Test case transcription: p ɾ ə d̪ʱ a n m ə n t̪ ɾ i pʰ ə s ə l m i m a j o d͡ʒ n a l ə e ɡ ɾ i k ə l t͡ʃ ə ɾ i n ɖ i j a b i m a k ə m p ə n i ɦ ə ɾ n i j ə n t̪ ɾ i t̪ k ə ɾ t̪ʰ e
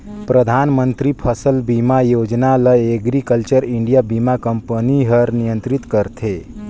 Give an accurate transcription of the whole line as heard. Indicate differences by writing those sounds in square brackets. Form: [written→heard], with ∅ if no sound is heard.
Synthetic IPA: p ɾ ə d̪ʱ a n m ə n t̪ ɾ i pʰ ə s ə l [m→b] i m a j o d͡ʒ n a l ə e ɡ ɾ i k ə l t͡ʃ ə ɾ i [n→ɳ] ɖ i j a b i m a k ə m p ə n i ɦ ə ɾ n i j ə n t̪ ɾ i t̪ k ə ɾ t̪ʰ e